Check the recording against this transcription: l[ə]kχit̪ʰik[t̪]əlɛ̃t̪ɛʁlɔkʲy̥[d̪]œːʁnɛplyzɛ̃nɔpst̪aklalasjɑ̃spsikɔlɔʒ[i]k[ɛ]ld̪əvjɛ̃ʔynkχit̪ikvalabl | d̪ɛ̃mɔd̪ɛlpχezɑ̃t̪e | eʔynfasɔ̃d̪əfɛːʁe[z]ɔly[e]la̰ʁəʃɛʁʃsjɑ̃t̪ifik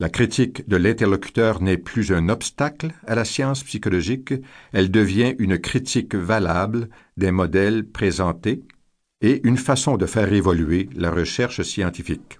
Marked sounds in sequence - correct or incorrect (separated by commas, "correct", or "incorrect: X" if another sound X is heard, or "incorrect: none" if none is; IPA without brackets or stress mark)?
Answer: incorrect: a, incorrect: d̪, incorrect: t̪, correct, correct, incorrect: v, correct